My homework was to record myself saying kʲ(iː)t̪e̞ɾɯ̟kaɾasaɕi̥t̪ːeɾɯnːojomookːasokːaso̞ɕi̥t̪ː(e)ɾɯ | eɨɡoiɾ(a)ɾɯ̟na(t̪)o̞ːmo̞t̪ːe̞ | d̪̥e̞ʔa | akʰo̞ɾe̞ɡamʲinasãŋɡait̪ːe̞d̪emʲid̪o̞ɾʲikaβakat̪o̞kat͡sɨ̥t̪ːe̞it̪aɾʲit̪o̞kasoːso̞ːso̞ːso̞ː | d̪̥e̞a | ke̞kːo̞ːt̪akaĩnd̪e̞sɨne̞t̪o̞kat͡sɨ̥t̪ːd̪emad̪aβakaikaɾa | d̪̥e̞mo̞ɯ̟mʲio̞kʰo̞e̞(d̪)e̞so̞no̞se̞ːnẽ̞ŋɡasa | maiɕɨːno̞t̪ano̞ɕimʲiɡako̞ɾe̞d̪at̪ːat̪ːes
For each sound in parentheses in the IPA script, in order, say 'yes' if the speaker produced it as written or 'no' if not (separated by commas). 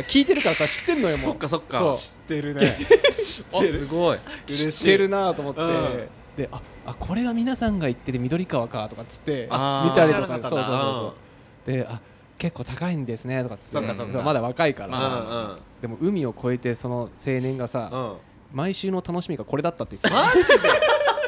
yes, yes, no, yes, no